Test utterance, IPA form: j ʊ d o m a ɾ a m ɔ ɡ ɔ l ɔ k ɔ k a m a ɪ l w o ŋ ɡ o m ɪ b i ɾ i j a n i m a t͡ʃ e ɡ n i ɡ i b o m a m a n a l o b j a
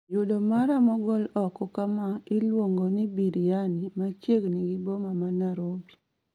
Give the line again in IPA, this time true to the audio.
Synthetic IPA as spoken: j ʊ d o m a ɾ a m ɔ ɡ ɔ l ɔ k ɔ k a m a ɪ l w o ŋ ɡ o n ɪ b i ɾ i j a n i m a t͡ʃ e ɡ n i ɡ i b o m a m a n a ɾ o b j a